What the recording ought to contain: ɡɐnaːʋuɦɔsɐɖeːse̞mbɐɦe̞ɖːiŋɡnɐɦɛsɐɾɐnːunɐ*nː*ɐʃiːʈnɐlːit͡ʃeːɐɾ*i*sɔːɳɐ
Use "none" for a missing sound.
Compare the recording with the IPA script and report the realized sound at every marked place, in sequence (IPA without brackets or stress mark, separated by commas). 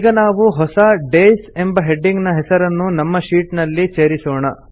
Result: mː, i